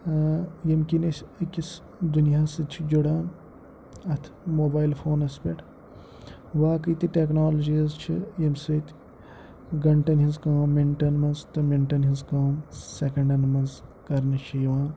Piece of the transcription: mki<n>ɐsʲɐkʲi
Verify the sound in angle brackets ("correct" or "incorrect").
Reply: correct